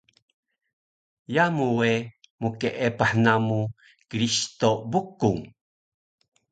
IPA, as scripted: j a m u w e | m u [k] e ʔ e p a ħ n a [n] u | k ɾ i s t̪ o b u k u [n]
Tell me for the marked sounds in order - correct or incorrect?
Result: correct, incorrect: m, incorrect: ŋ

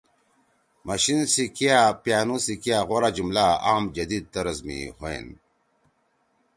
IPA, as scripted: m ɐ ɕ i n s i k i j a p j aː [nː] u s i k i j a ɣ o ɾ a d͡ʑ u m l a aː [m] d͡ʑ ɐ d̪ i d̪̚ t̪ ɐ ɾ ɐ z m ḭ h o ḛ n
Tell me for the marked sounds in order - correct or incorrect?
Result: incorrect: n, correct

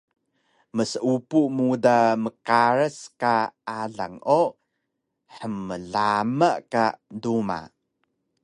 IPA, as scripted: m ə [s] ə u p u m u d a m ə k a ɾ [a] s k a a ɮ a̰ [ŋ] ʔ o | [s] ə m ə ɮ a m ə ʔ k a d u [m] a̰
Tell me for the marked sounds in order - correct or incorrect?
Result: correct, incorrect: ə, correct, incorrect: ħ, correct

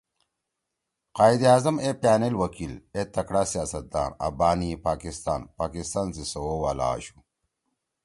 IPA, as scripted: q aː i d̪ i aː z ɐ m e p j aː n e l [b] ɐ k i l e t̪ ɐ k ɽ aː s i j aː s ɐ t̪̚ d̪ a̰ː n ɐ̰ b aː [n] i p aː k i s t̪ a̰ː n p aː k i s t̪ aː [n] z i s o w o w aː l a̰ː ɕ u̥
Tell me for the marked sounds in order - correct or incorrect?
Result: incorrect: w, correct, correct

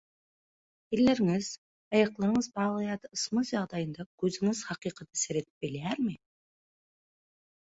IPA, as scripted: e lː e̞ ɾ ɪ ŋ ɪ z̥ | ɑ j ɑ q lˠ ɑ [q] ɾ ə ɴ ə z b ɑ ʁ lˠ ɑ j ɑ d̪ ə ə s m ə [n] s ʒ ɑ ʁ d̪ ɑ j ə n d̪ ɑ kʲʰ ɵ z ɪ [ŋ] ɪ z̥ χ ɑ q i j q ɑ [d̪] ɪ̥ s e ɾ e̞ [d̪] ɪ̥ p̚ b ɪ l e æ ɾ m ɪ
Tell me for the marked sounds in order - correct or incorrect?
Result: incorrect: none, incorrect: none, correct, incorrect: t̪, incorrect: t̪

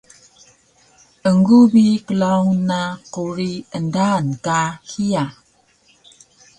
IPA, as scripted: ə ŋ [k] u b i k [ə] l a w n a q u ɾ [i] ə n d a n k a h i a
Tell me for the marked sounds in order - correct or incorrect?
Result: incorrect: ɡ, correct, correct

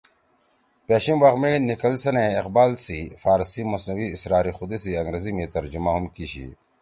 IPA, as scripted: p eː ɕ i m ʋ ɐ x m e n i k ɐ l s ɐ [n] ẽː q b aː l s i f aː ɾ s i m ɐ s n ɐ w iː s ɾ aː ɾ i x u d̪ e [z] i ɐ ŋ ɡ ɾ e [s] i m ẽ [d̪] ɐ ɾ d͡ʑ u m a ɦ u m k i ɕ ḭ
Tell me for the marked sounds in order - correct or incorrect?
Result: correct, incorrect: s, incorrect: z, incorrect: t̪

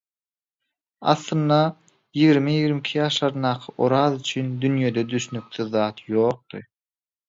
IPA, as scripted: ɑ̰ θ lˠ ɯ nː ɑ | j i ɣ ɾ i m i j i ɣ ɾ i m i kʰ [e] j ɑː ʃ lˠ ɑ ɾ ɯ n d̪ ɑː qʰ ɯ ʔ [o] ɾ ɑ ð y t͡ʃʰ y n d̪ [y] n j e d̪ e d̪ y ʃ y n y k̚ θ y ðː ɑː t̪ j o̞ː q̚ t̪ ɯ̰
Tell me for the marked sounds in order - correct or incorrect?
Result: incorrect: i, correct, correct

